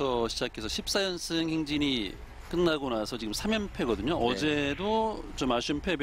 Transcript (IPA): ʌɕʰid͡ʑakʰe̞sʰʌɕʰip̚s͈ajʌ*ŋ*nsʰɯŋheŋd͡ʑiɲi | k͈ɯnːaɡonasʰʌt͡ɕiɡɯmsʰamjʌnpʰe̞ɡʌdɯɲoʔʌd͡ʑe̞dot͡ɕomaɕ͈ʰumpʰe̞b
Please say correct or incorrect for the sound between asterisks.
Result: incorrect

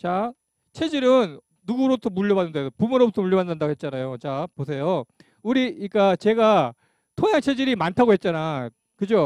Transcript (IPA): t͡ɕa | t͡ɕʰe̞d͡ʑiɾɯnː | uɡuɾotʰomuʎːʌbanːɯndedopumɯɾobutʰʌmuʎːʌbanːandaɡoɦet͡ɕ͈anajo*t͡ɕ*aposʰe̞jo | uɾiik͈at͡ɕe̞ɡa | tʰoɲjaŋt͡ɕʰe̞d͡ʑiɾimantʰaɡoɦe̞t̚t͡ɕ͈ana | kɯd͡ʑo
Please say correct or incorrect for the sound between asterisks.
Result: correct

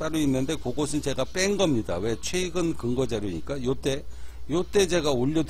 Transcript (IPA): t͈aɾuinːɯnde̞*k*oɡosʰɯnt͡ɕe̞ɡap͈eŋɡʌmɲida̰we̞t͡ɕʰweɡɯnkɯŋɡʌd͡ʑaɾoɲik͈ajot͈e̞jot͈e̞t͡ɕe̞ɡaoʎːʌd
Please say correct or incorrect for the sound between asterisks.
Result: correct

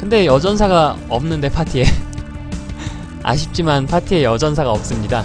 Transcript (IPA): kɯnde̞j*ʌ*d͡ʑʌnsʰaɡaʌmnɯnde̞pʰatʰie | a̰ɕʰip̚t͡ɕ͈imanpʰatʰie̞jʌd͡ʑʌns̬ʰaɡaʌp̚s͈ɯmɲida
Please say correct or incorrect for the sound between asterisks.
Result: correct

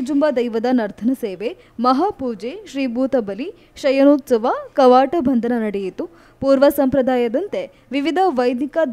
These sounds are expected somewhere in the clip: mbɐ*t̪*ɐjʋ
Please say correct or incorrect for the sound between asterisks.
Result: incorrect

